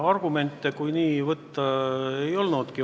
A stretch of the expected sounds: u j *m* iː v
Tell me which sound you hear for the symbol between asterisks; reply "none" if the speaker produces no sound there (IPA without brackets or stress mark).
n